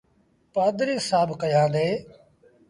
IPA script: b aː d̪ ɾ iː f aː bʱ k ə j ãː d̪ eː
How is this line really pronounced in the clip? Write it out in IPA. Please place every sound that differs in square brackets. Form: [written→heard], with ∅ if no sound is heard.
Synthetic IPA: [b→p] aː d̪ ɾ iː [f→s] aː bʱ k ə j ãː d̪ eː